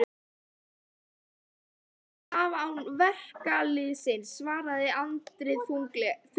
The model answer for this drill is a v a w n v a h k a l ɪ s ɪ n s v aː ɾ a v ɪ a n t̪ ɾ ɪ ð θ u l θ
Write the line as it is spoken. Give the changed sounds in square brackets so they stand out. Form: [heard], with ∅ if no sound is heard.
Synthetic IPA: a v a w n v [ɛ] h k a l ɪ s ɪ n s v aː ɾ a [ð] ɪ a n t̪ ɾ ɪ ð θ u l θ

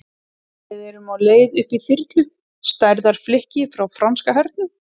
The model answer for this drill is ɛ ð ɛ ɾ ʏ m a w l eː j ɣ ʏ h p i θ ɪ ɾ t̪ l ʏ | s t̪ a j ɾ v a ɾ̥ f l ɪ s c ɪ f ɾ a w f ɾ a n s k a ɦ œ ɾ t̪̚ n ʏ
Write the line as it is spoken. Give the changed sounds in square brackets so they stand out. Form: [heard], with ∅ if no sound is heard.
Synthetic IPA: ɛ ð ɛ ɾ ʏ m a w l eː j [ð] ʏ h p i θ ɪ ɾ t̪ l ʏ | s t̪ a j ɾ [ð] a ɾ̥ f l ɪ [h] c ɪ f ɾ a w f ɾ a n s k a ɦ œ ɾ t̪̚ n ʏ

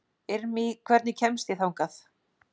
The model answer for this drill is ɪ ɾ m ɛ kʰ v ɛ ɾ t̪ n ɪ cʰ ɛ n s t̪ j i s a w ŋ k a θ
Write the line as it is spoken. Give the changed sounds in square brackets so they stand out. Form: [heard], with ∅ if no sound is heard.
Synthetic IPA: ɪ ɾ m [i] kʰ v ɛ ɾ t̪ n ɪ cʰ ɛ [m] s t̪ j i [θ] a w ŋ k a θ

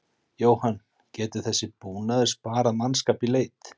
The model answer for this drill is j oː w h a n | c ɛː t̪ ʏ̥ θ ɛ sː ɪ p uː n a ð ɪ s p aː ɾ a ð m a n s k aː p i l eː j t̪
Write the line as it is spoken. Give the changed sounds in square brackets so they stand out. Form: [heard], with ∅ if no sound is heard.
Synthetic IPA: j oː w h a n | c ɛː t̪ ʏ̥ θ ɛ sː ɪ p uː n a ð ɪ s p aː ɾ a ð m a n s k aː p i l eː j t̪

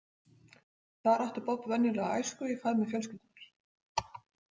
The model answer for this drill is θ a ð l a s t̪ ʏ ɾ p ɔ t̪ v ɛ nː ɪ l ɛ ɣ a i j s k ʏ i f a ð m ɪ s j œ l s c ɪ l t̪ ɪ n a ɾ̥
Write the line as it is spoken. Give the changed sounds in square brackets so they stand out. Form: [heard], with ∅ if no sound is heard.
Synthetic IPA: θ a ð [ɾ] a [h] t̪ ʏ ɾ p ɔ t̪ v ɛ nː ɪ l ɛ ɣ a [a] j s k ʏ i f a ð m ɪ [f] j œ l s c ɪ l t̪ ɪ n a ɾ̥

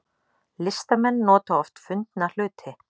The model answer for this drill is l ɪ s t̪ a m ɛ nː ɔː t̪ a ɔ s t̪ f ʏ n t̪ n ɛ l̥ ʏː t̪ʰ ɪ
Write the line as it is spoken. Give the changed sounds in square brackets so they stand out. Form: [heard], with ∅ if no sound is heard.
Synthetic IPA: l ɪ s t̪ a m ɛ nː ɔː t̪ a ɔ [f] t̪ f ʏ n t̪ n [a] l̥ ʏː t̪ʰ ɪ

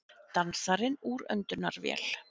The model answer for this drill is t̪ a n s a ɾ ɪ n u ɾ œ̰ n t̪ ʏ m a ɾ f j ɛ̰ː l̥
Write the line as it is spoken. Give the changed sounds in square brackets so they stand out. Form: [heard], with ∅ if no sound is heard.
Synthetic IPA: t̪ a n s a ɾ ɪ n u ɾ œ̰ n t̪ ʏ [n] a ɾ [v] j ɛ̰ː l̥

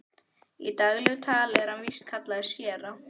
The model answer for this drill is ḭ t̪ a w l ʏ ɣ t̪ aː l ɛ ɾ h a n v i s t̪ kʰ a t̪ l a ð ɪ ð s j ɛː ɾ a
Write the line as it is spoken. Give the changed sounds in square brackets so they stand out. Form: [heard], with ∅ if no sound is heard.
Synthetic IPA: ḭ t̪ a [ɣ] l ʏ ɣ [t̪ʰ] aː l ɛ ɾ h a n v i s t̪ kʰ a t̪ l a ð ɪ [∅] s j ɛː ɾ a

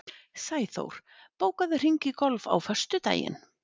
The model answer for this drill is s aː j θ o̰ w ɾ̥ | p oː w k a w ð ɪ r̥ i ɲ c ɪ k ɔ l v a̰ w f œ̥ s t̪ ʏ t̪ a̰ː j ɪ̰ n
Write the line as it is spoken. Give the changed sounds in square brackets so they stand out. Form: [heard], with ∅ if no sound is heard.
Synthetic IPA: s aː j θ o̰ w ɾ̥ | p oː w k a [∅] ð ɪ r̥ i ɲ c ɪ k ɔ l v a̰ w f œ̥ s t̪ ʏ t̪ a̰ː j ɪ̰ n

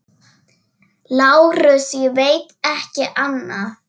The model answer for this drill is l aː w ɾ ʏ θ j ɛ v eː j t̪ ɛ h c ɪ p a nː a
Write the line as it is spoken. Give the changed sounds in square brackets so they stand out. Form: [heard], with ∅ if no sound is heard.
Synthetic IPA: l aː w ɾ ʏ [s] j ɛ v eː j t̪ ɛ h c ɪ [ʔ] a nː a

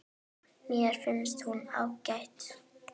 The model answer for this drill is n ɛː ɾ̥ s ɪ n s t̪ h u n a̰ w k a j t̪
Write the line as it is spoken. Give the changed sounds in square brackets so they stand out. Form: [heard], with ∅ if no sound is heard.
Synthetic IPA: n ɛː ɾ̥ [f] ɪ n s t̪ h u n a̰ w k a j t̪

